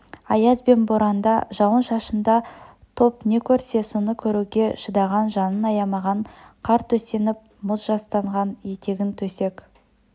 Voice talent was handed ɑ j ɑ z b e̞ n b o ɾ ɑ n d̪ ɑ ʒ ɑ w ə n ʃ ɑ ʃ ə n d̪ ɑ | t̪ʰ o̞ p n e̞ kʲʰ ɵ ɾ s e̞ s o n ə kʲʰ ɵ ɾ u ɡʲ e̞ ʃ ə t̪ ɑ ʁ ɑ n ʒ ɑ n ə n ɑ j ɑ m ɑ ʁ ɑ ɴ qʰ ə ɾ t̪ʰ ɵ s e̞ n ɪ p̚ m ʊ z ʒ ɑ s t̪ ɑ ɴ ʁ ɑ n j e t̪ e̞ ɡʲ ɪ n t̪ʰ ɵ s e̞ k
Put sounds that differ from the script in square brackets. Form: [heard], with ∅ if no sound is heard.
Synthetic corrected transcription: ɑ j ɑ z b e̞ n b o ɾ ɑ n d̪ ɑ ʒ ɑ w ə n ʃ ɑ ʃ ə n d̪ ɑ | t̪ʰ o̞ p n e̞ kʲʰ ɵ ɾ s e̞ s o n ə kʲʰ ɵ ɾ u ɡʲ e̞ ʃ ə [d̪] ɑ ʁ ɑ n ʒ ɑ n ə n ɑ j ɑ m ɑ ʁ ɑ ɴ qʰ [ɑ] ɾ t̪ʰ ɵ s e̞ n ɪ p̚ m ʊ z ʒ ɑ s t̪ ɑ ɴ ʁ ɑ n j e t̪ e̞ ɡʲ ɪ n t̪ʰ ɵ s e̞ k